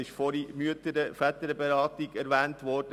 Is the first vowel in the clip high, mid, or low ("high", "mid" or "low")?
high